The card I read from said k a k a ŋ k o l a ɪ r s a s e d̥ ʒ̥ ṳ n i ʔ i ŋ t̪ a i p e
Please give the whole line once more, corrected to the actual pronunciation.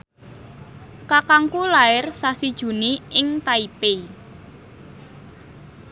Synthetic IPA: k a k a ŋ k u l a ɪ r s a s i d̥ ʒ̥ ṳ n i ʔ ɪ ŋ t̪ a i p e